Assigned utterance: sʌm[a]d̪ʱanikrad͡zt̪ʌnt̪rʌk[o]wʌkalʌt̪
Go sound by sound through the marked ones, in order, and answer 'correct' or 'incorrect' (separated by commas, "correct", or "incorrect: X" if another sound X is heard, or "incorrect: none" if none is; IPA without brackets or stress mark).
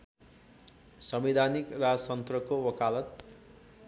incorrect: i, correct